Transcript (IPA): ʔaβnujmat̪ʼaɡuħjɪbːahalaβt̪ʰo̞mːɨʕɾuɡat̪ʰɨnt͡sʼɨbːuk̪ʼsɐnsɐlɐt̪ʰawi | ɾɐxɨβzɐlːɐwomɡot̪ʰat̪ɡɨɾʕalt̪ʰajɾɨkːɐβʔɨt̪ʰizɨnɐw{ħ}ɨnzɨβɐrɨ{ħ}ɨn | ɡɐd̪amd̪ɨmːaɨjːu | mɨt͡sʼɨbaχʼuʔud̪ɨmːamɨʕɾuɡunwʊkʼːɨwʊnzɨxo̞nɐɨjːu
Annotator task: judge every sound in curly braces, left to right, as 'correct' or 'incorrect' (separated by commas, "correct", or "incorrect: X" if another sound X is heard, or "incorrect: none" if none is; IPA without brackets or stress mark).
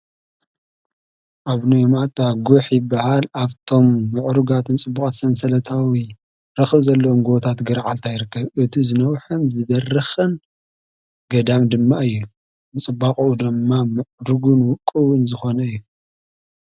correct, incorrect: x